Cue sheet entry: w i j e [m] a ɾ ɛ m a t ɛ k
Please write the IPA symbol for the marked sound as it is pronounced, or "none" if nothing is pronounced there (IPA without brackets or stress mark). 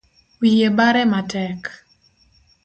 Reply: b